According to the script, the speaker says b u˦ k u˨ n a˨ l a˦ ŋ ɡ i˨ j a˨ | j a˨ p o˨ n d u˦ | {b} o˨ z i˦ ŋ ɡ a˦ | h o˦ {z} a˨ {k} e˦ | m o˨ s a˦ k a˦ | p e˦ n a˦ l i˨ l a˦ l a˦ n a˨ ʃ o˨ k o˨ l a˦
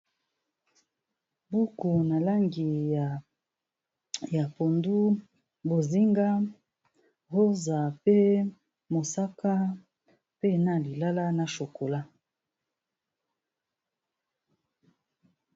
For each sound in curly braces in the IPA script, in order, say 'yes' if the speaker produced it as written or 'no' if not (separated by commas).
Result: yes, yes, no